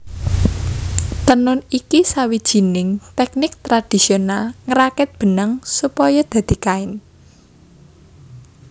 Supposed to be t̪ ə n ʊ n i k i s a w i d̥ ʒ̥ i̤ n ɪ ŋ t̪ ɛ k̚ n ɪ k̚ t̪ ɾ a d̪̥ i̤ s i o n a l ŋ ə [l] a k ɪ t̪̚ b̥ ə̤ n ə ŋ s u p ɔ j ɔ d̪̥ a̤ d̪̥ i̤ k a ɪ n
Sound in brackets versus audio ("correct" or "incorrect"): incorrect